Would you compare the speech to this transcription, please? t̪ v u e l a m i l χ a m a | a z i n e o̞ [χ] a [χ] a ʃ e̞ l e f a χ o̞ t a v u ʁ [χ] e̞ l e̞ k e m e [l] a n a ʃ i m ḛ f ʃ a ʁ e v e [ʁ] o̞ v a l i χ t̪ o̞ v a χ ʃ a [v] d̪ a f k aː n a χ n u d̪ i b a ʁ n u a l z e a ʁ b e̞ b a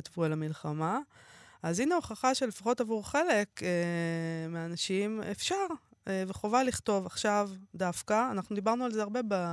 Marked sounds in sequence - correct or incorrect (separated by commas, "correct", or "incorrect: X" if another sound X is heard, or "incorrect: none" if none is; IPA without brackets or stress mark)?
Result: correct, correct, correct, incorrect: none, incorrect: χ, correct